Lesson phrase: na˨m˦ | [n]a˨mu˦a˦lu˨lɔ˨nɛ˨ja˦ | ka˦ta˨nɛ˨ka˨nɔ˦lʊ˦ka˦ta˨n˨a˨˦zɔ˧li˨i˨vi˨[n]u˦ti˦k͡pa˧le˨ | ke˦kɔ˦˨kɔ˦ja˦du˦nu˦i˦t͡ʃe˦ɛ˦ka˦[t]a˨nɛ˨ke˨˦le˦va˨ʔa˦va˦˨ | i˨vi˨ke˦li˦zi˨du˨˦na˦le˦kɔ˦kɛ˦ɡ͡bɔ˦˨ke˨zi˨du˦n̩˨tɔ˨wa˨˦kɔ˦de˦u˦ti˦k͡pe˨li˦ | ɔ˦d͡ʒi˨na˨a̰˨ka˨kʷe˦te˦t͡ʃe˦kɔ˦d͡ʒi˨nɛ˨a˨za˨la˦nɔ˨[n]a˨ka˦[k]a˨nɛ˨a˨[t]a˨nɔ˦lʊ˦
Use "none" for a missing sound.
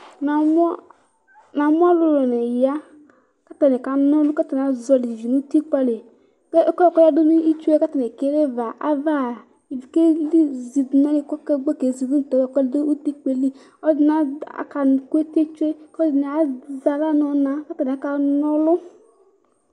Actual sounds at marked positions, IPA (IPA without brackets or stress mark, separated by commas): n, n, t, n, t, k